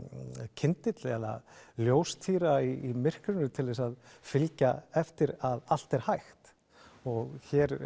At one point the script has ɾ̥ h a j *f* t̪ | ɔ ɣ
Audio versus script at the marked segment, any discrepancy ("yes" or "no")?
yes